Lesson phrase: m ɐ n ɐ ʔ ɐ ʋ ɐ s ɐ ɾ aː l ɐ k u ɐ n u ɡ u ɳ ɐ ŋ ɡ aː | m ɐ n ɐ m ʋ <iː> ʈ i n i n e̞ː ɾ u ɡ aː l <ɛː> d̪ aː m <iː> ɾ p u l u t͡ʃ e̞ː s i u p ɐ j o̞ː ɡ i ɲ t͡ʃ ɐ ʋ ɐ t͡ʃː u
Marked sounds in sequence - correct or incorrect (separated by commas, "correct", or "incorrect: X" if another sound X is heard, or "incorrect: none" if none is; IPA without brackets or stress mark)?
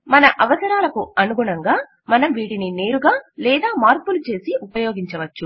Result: correct, correct, incorrect: aː